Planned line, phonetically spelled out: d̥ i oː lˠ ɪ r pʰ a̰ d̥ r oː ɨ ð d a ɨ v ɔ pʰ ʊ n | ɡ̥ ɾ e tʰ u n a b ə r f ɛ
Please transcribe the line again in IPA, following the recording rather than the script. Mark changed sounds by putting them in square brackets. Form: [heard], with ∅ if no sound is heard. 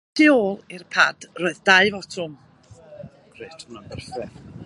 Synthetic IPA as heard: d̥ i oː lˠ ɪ r pʰ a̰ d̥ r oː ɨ ð d a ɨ v ɔ [tʰ] ʊ [m] | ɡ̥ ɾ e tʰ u n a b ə r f ɛ